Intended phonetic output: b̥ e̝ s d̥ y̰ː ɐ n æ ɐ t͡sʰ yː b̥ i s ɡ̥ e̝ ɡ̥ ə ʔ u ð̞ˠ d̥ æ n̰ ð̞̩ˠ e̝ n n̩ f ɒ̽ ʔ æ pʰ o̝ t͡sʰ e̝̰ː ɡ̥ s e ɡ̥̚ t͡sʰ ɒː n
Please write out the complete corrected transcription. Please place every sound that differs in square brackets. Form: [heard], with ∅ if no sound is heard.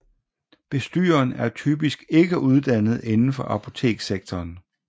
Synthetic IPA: b̥ e̝ s d̥ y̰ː ɐ n æ ɐ t͡sʰ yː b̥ i s ɡ̥ e̝ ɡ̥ ə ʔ u ð̞ˠ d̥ æ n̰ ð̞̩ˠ e̝ n n̩ f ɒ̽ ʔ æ pʰ o̝ t͡sʰ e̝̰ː ɡ̥ s e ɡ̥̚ t͡sʰ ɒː n